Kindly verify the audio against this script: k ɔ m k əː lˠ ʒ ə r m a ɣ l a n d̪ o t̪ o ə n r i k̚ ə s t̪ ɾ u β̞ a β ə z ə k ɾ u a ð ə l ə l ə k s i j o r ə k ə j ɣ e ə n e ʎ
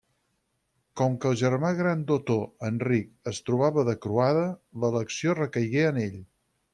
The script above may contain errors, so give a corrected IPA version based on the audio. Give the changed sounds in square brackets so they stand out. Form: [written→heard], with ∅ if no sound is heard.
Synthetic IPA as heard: k ɔ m k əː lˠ ʒ ə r m a ɣ [l→ɾ] a n d̪ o t̪ o ə n r i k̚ ə s t̪ ɾ u β̞ a β ə [z→ð] ə k ɾ u a ð ə l ə l ə k s i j o r ə k ə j ɣ e ə n e ʎ